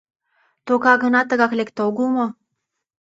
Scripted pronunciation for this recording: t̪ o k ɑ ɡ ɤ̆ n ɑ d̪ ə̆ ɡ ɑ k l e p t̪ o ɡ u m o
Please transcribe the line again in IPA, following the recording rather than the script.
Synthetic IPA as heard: t̪ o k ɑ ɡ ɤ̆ n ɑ t̪ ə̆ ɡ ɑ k l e k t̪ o ɡ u m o